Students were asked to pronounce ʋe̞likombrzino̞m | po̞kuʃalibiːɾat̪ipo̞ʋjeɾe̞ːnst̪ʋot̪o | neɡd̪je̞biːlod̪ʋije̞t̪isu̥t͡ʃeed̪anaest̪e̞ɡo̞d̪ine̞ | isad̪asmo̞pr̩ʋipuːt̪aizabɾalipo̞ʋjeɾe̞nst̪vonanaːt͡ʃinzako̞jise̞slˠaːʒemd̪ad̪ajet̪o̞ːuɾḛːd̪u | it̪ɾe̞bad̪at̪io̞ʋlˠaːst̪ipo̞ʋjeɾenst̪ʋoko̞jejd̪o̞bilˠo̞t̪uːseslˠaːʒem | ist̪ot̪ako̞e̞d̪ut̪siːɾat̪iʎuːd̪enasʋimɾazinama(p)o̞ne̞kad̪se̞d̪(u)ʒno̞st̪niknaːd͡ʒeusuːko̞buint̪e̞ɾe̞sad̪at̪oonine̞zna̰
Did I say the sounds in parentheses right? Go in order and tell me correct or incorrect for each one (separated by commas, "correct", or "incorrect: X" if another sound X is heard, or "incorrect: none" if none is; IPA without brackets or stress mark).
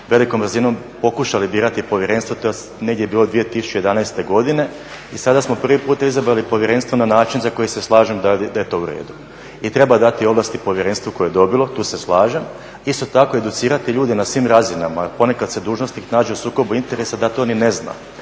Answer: correct, incorrect: uː